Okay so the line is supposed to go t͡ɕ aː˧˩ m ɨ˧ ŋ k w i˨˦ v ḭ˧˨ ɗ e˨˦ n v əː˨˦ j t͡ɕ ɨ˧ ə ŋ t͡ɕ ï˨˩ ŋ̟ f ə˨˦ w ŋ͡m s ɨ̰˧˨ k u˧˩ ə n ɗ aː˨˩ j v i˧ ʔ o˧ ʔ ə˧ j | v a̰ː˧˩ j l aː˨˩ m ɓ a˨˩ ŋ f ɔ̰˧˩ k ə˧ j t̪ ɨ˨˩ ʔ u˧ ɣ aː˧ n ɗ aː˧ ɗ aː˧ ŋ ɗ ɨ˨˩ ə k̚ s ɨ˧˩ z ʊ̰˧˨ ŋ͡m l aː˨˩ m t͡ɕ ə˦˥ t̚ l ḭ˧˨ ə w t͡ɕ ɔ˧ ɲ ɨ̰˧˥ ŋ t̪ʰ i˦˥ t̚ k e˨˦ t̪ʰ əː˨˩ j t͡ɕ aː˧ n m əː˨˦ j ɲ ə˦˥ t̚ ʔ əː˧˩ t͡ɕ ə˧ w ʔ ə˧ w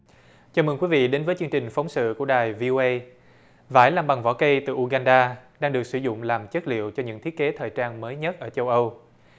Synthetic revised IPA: t͡ɕ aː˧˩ m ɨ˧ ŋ k w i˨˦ v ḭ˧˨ ɗ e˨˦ n v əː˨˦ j t͡ɕ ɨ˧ ə ŋ t͡ɕ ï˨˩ ŋ̟ f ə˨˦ w ŋ͡m s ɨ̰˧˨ k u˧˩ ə ɗ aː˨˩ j v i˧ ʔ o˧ ʔ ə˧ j | v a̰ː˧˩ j l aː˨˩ m ɓ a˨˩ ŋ v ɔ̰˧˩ k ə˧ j t̪ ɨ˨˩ ʔ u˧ ɣ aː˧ n ɗ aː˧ ɗ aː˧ ŋ ɗ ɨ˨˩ ə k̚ s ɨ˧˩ z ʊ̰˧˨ ŋ͡m l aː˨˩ m t͡ɕ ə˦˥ t̚ l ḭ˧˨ ə w t͡ɕ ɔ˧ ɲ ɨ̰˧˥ ŋ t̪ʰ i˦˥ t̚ k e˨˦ t̪ʰ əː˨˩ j t͡ɕ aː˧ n m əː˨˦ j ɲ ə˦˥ t̚ ʔ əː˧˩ t͡ɕ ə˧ w ʔ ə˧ w